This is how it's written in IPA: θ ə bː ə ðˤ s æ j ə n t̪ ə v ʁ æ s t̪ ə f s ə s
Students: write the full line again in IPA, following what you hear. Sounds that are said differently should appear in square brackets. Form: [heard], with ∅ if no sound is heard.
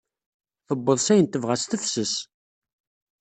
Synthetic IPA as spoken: θ ə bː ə ðˤ s æ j ə n t̪ ə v ʁ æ s t̪ ə f s ə s